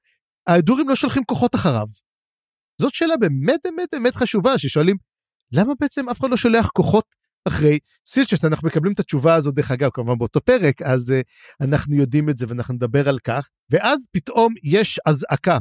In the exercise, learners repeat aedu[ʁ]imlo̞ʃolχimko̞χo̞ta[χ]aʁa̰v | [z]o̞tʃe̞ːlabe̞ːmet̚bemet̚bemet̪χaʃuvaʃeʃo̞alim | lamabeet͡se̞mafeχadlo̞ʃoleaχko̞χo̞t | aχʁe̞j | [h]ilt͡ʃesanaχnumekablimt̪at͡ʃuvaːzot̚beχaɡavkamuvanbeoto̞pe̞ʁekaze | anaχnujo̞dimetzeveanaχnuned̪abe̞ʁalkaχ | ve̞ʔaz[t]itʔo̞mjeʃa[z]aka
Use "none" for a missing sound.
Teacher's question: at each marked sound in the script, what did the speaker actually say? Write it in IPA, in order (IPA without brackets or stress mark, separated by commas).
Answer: ʁ, χ, z, s, p, z